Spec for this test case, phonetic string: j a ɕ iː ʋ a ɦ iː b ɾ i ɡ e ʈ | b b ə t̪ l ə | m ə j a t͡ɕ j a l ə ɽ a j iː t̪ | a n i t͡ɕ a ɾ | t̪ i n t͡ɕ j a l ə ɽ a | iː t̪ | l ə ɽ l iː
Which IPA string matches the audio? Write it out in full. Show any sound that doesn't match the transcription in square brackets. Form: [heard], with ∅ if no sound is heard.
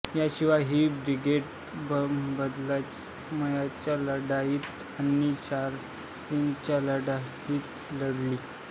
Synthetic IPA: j a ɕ [i] ʋ a ɦ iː b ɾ i ɡ e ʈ | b b ə [d̪] l [a] | m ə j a t͡ɕ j a l ə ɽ a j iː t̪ | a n i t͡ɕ a ɾ | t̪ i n t͡ɕ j a l ə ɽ a | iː t̪ | l ə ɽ l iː